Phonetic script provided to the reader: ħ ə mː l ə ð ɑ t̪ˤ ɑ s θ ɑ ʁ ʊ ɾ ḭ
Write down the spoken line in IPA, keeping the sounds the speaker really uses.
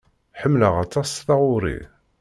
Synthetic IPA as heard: ħ ə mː l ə ʁ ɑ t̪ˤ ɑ s θ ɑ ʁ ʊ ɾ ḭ